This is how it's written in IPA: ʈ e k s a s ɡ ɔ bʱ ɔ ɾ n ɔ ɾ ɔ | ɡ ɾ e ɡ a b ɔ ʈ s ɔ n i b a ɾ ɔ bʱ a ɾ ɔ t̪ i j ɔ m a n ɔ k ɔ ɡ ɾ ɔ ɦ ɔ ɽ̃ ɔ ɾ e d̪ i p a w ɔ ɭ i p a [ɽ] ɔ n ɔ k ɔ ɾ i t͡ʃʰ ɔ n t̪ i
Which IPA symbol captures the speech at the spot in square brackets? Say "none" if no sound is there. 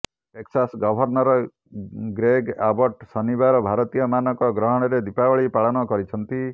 ɭ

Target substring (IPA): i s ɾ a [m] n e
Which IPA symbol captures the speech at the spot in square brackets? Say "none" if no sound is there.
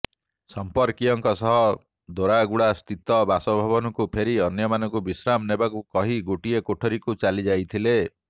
m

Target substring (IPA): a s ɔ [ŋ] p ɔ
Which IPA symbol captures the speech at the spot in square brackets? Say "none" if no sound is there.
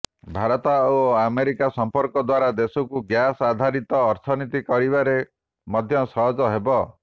m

